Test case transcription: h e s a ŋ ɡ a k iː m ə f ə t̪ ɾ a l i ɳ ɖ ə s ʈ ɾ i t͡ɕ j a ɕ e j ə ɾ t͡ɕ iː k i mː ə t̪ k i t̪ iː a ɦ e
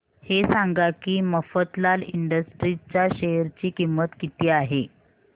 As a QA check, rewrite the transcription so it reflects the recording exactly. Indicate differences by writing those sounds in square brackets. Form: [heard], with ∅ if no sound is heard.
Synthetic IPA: h e s a ŋ ɡ a k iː m ə f ə t̪ [l] a l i ɳ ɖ ə s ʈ ɾ i t͡ɕ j a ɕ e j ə ɾ t͡ɕ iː k i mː ə t̪ k i t̪ iː a ɦ e